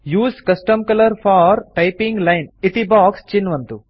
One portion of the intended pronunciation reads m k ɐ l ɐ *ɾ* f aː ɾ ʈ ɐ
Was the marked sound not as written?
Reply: no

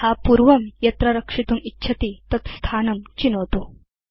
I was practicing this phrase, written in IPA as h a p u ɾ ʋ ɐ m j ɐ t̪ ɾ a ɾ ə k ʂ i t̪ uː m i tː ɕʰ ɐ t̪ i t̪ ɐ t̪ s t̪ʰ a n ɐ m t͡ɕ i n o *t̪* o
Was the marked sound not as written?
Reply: no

